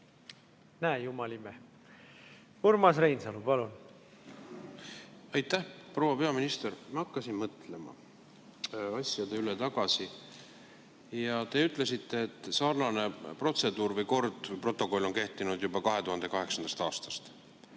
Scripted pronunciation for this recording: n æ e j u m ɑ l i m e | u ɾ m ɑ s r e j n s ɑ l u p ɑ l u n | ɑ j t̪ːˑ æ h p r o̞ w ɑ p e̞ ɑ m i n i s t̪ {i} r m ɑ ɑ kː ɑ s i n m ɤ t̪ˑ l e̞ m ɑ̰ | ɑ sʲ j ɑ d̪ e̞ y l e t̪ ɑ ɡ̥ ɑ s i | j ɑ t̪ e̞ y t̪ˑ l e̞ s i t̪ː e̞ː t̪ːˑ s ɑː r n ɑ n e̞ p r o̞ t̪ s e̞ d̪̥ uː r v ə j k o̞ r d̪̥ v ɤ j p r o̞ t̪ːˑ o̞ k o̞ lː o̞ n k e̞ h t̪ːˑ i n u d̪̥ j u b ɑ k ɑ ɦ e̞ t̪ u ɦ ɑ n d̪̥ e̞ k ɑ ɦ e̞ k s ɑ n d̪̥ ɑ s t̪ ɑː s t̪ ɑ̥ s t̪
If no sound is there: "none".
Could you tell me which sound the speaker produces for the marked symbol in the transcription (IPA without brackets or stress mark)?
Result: e